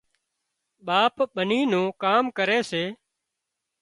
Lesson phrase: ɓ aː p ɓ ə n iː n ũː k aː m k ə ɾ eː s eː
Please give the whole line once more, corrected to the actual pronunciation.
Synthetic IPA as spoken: ɓ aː p ɓ ə n iː n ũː k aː m k ə ɾ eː s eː